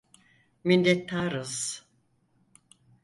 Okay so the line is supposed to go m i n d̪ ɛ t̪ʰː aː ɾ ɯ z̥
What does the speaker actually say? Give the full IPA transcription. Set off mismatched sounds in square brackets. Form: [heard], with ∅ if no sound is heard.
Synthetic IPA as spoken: m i n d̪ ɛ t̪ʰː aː ɾ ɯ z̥